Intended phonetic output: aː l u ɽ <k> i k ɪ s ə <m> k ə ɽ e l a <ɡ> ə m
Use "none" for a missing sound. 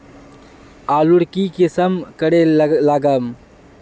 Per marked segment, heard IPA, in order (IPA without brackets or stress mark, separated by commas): k, m, ɡ